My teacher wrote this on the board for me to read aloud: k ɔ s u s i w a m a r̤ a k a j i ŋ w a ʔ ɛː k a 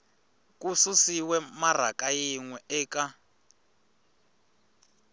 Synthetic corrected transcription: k u s u s i w ɛ m a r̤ a k a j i ŋ w ɛ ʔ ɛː k a